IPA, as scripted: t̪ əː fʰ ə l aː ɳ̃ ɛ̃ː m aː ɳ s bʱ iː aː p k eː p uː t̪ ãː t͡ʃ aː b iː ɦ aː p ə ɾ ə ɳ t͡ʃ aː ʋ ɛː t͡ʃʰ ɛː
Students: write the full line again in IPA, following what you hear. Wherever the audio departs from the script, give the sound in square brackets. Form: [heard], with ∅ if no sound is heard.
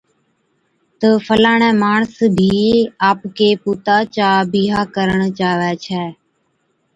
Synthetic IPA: t̪ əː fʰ ə l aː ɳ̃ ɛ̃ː m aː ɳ s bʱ iː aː p k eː p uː t̪ [aː] t͡ʃ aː b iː ɦ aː [k] ə ɾ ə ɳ t͡ʃ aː ʋ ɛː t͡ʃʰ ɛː